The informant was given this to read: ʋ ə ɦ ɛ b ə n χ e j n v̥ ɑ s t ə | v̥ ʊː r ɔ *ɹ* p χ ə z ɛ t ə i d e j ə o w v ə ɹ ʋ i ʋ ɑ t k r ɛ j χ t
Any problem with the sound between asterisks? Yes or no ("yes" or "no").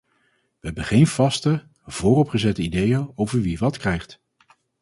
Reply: yes